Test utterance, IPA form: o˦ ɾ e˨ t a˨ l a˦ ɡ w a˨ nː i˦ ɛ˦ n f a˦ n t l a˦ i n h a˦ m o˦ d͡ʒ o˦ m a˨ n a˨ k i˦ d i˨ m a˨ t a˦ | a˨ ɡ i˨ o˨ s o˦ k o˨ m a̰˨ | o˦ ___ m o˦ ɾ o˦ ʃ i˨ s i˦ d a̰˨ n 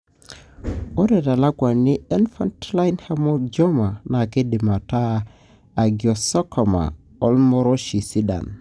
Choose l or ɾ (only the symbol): l